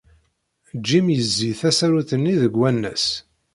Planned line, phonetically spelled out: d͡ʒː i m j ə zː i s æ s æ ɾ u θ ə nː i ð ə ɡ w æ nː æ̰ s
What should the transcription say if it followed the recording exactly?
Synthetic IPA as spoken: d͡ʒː i m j ə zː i θ æ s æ ɾ u θ ə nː i ð ə ɡ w æ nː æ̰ s